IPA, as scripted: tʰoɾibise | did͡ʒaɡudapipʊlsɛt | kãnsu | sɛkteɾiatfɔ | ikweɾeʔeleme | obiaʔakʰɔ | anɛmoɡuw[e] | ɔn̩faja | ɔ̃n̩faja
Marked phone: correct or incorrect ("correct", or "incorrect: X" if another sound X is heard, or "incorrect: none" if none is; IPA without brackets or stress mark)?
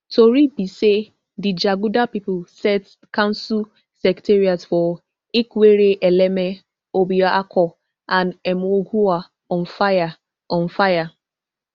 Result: incorrect: a